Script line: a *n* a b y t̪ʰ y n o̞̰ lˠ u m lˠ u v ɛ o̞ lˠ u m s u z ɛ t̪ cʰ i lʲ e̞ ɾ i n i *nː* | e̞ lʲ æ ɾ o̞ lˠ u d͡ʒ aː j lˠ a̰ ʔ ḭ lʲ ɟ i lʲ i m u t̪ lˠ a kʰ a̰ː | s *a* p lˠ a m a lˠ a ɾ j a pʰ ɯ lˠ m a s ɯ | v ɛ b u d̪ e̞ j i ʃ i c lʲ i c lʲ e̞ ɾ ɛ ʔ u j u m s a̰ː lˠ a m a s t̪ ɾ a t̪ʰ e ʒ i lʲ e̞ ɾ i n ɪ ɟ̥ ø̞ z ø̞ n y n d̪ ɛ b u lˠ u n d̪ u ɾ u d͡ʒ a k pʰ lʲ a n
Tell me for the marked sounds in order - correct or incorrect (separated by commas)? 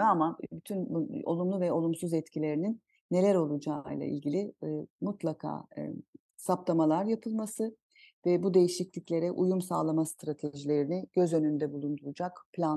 incorrect, correct, correct